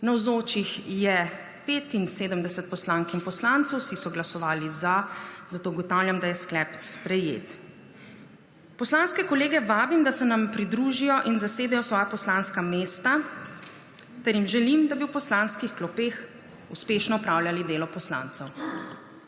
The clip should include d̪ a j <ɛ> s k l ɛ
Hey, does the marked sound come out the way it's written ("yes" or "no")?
yes